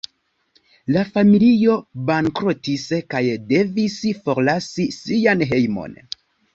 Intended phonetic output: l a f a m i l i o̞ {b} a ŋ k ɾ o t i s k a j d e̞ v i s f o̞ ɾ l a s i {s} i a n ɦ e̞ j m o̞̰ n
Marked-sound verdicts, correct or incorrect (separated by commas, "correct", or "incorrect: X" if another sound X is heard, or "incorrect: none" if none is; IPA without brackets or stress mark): correct, correct